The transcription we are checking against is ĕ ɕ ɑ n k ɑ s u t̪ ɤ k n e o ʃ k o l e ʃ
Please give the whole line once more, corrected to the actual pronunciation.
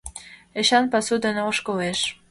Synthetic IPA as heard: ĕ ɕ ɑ n p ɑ s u d̪ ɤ n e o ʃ k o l e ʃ